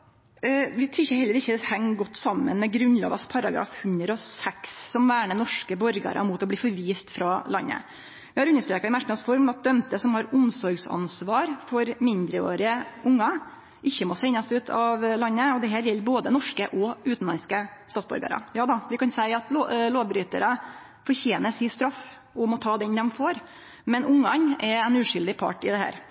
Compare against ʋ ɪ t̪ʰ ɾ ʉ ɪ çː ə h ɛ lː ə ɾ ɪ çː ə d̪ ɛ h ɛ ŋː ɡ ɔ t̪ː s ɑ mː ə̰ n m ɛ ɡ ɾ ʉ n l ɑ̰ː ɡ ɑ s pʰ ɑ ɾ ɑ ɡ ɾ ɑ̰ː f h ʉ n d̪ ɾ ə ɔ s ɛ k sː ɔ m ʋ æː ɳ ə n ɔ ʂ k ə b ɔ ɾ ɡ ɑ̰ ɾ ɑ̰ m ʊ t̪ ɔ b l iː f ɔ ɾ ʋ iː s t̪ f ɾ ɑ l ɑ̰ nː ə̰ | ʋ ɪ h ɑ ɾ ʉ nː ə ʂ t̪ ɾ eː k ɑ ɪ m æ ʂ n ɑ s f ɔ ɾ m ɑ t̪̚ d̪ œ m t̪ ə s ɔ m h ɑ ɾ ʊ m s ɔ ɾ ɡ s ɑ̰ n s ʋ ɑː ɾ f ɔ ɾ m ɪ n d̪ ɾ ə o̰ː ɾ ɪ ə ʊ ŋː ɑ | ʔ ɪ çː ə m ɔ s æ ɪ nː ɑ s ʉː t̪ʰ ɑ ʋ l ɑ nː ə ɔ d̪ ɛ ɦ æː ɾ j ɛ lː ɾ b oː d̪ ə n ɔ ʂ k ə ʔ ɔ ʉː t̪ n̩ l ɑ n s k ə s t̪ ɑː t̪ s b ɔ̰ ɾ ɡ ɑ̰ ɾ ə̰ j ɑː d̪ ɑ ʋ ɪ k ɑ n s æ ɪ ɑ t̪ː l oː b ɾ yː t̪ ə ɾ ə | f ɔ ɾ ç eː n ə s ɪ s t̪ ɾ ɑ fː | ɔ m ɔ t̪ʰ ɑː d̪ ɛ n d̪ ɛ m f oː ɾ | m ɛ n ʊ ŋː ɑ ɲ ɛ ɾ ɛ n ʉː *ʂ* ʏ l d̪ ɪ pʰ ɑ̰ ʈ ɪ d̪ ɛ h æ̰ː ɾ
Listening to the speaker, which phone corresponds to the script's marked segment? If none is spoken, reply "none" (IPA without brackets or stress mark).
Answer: ʂ